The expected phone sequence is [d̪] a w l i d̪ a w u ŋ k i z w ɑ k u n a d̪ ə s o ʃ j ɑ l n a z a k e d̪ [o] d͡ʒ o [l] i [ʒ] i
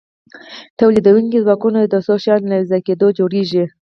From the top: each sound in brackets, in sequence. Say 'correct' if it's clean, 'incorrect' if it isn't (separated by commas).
incorrect, correct, incorrect, correct